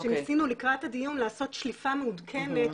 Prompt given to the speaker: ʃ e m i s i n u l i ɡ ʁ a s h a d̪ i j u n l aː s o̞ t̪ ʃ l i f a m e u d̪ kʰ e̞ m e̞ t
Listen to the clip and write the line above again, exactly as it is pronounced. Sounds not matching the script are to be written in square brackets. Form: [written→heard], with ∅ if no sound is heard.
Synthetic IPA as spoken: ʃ e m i s i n u l i [ɡ→k] ʁ a [s→t] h a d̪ i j u n l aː s o̞ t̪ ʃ l i f a m e u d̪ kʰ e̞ m e̞ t